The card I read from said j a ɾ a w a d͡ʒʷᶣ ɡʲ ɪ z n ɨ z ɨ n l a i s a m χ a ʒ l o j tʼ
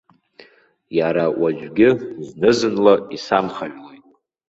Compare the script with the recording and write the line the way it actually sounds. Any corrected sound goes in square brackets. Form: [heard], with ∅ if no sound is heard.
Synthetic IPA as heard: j a ɾ a w a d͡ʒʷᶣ ɡʲ ɪ z n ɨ z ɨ n l a i s a m χ a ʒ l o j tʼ